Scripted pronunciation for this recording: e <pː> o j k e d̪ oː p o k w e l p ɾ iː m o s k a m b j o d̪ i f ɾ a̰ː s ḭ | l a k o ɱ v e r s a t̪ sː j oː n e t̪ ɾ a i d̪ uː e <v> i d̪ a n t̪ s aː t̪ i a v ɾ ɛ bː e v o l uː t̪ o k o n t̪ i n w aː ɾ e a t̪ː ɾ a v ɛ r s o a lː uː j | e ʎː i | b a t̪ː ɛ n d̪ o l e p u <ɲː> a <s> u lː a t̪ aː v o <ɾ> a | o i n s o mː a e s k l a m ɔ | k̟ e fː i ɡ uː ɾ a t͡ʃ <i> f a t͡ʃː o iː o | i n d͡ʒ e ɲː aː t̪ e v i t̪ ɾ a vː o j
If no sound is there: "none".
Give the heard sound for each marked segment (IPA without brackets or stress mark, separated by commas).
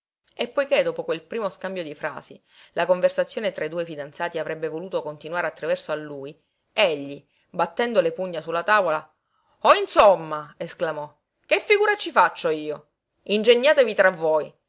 pː, f, ɲː, s, l, i